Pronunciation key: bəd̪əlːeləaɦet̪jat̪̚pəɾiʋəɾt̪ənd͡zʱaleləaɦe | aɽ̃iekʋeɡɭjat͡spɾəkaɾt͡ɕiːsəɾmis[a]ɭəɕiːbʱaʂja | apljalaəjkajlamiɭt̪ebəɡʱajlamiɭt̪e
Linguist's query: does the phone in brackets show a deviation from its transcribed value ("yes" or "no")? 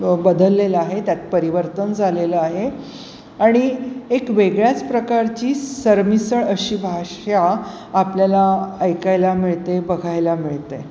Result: yes